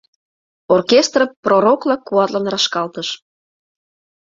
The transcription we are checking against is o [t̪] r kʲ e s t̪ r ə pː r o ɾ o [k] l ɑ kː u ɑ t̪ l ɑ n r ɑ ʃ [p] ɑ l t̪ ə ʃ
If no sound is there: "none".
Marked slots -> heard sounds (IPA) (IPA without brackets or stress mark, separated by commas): none, k, k